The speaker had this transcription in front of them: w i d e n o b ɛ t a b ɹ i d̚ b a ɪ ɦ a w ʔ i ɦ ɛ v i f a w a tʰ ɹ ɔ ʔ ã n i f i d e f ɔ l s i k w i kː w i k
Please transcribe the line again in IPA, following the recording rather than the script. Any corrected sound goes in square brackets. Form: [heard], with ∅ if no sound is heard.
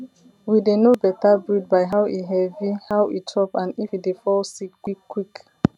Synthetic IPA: w i d e n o b ɛ t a b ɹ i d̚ b a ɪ ɦ a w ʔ i ɦ ɛ v i [h] a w [i] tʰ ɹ ɔ [p] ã n i f i d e f ɔ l s i k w i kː w i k